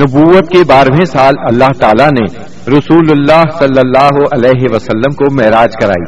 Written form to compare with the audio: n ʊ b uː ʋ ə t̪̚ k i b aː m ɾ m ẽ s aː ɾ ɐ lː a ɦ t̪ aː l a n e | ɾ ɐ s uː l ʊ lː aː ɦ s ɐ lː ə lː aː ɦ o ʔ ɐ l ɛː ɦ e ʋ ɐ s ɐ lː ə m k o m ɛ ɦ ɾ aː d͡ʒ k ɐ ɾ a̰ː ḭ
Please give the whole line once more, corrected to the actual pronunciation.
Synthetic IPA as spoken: n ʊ b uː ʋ ə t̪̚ k e b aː ɾ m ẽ s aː l ɐ lː a ɦ t̪ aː l a n e | ɾ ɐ s uː l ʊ lː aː ɦ s ɐ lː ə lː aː ɦ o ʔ ɐ l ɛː ɦ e ʋ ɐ s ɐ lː ə m k o m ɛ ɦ ɾ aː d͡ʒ k ɐ ɾ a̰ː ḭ